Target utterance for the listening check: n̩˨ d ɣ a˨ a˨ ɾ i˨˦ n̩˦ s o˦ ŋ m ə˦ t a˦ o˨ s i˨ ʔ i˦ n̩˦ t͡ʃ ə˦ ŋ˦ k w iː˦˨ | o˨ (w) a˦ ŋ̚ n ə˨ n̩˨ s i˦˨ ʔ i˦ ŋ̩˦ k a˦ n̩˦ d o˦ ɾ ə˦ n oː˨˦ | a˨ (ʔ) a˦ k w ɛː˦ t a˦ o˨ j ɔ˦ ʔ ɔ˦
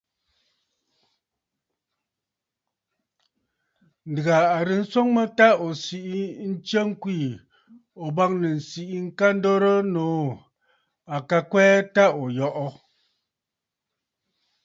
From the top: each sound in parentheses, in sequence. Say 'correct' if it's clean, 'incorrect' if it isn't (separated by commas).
incorrect, incorrect